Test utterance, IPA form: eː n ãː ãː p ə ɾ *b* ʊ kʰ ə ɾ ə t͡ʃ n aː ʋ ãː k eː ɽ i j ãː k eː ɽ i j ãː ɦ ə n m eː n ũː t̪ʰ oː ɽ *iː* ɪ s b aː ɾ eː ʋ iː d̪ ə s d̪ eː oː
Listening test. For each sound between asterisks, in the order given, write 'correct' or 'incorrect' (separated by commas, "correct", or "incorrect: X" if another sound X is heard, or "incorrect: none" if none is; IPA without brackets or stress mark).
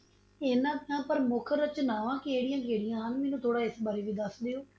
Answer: incorrect: m, incorrect: aː